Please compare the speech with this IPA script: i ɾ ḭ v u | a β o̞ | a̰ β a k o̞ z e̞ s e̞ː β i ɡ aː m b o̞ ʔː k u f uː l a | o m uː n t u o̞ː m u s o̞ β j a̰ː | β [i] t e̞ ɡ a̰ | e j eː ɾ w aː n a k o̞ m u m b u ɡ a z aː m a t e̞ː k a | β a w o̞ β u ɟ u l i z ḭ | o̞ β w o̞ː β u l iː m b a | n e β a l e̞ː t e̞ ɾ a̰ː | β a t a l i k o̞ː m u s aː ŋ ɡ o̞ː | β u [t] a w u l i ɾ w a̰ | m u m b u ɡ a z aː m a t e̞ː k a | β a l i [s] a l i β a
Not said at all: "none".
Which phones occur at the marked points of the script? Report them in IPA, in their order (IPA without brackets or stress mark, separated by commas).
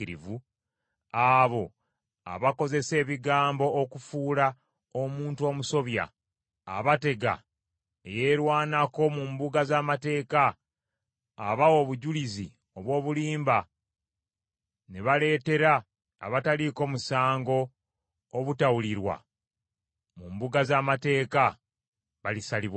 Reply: a, t, s